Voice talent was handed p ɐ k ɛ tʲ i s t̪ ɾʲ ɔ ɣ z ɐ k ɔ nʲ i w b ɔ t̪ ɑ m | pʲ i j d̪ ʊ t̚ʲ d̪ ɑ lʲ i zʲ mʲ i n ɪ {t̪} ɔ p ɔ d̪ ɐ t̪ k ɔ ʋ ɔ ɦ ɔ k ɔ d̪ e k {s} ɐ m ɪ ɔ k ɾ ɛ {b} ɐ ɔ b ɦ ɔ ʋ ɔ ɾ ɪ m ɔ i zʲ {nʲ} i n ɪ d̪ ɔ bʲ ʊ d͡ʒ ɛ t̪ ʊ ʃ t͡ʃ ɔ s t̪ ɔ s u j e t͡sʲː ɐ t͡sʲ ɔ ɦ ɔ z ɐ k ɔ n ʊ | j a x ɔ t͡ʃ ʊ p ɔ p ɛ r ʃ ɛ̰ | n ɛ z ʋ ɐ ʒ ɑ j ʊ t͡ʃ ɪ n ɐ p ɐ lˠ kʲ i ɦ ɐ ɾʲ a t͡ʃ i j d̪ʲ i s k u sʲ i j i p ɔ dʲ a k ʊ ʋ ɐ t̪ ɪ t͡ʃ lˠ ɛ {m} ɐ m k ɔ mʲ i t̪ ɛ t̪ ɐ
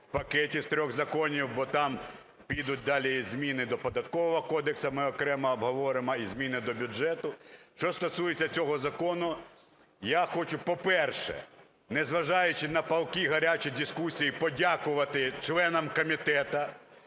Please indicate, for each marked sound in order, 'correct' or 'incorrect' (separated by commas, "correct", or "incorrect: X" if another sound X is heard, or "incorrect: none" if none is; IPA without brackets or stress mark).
incorrect: d̪, correct, incorrect: m, incorrect: mʲ, incorrect: n